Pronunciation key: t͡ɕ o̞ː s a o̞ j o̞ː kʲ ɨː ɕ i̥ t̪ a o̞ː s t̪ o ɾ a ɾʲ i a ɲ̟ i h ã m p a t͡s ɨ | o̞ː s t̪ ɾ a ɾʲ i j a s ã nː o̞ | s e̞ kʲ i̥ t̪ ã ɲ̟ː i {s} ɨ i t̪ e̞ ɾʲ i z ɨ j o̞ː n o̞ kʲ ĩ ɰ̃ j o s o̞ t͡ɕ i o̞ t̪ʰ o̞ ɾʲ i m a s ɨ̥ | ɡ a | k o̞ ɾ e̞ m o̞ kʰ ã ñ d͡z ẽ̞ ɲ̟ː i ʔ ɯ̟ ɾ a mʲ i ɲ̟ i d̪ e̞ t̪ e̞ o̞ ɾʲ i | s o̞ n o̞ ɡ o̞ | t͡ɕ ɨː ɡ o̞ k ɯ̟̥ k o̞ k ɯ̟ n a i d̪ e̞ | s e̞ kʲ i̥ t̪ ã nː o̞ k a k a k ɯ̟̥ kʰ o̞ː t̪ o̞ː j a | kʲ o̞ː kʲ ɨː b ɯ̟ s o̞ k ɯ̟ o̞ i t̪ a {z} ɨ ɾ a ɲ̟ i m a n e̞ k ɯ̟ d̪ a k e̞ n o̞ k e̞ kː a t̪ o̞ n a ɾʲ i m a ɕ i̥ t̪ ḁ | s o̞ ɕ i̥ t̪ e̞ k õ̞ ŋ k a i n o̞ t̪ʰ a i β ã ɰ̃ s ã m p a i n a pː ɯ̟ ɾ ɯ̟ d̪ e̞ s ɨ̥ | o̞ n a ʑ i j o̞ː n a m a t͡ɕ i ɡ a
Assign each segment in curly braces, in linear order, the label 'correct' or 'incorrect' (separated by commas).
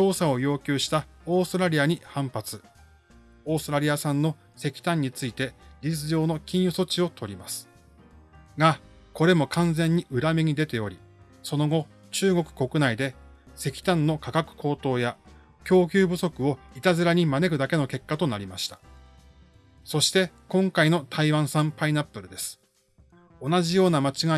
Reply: incorrect, correct